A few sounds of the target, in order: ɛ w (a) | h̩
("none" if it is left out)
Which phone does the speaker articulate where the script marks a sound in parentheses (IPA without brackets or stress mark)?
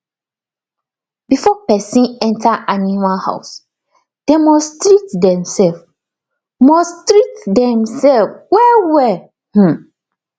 ɛ